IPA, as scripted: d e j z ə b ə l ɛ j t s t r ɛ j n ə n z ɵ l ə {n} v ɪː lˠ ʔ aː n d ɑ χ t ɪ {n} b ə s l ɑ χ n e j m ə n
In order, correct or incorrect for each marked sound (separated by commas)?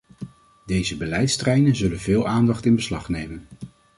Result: correct, correct